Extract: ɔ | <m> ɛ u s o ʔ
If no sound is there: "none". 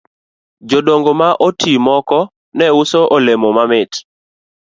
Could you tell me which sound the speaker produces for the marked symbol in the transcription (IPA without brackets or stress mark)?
n